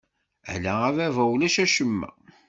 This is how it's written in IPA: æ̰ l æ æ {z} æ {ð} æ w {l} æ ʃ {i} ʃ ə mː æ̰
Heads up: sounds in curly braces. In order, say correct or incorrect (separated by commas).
incorrect, incorrect, correct, incorrect